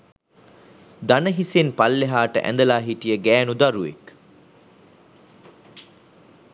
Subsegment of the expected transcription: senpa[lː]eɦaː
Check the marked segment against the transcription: correct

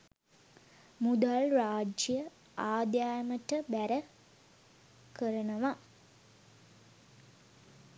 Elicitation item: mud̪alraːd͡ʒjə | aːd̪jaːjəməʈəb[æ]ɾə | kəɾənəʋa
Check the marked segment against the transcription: correct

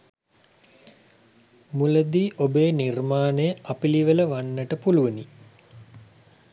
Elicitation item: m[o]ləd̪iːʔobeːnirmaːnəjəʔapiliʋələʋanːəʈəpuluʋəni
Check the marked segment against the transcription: incorrect: u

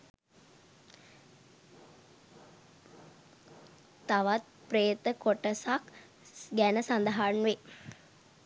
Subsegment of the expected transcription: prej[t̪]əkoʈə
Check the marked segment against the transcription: correct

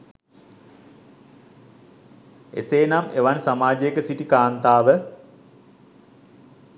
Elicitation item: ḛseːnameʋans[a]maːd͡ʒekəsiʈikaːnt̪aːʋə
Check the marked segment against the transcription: correct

